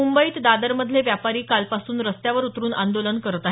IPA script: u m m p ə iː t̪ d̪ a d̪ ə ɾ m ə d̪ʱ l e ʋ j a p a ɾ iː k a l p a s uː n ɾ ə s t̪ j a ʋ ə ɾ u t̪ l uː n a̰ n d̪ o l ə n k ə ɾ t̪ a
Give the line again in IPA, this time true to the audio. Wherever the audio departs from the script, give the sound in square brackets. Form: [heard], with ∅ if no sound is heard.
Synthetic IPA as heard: u m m [b] ə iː t̪ d̪ a d̪ ə ɾ m ə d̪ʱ l e ʋ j a p a ɾ iː k a l p a s uː n ɾ ə s t̪ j a ʋ ə ɾ u t̪ [ɾ] uː n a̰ n d̪ o l ə n k ə ɾ t̪ a